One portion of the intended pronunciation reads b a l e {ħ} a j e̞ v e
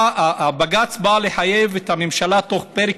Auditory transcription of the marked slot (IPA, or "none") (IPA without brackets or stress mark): ħ